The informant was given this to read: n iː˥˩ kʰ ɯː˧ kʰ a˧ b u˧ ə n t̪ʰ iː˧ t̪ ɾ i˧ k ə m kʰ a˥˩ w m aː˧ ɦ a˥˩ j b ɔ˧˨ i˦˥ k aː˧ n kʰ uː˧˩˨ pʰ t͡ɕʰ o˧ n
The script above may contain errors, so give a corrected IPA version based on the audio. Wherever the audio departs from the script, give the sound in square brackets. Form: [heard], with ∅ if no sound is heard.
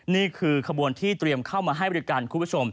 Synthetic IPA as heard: n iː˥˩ kʰ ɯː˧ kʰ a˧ b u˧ ə n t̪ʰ [iː˥˩] t̪ ɾ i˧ [∅] ə m kʰ a˥˩ w m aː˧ ɦ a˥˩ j b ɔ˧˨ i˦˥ k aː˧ n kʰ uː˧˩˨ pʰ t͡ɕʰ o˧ [m]